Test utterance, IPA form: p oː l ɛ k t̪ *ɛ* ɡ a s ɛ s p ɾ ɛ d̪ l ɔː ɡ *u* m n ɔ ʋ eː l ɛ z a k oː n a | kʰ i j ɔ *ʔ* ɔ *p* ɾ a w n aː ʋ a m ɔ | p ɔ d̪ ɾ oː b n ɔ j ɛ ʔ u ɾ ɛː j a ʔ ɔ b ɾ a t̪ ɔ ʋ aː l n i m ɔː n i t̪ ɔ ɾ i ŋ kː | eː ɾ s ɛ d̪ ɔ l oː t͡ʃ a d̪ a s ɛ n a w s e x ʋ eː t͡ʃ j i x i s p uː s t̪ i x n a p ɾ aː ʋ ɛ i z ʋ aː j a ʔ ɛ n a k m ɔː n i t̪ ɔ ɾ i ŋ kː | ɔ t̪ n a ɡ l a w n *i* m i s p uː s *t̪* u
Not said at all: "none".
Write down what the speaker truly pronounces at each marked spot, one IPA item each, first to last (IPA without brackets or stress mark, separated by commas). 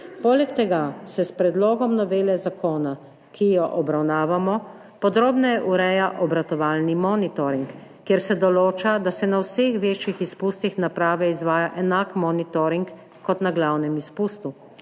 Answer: ɛ, ɔ, ʔ, b, ɛ, t̪